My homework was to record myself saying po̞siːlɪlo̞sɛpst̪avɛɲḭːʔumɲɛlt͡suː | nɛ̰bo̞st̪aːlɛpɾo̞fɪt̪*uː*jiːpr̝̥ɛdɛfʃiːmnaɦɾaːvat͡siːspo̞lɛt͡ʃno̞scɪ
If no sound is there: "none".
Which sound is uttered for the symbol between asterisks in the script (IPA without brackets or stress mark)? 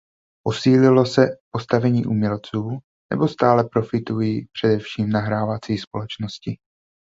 u